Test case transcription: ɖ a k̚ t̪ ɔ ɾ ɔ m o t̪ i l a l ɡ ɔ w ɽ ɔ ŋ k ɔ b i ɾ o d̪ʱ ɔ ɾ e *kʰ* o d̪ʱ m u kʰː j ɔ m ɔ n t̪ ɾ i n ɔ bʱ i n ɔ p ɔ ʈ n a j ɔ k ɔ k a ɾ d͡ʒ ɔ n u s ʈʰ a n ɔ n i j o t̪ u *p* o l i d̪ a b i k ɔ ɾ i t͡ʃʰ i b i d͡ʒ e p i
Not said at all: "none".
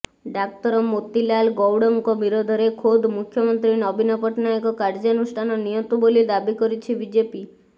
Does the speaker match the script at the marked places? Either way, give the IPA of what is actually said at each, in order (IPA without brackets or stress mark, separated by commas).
kʰ, b